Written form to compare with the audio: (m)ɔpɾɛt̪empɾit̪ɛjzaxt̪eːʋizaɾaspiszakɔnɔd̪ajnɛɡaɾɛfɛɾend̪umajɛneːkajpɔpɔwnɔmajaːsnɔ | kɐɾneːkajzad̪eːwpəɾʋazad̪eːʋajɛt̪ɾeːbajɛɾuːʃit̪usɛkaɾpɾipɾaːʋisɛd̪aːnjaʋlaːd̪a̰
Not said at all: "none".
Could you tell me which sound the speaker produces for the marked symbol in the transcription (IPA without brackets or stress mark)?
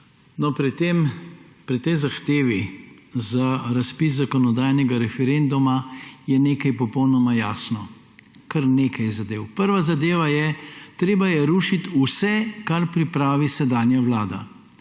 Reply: n